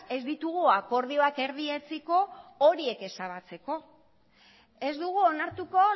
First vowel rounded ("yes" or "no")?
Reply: no